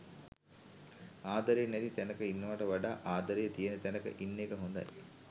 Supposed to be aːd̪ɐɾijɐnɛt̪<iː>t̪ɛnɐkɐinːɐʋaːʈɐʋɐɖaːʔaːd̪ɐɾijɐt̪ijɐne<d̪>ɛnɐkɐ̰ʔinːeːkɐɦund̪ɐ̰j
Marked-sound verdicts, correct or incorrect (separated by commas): incorrect, incorrect